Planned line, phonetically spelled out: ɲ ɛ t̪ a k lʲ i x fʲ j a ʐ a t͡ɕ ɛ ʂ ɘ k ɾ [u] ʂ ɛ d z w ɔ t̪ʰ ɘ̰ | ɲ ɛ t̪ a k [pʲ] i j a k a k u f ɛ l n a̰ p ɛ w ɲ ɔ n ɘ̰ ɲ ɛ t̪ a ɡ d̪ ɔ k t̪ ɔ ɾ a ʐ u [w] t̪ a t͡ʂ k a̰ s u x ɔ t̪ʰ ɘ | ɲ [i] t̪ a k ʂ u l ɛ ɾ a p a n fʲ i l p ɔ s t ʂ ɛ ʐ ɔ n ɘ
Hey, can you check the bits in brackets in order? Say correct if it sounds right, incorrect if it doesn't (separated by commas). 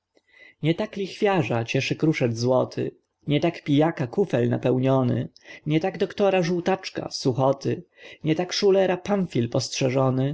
correct, correct, correct, incorrect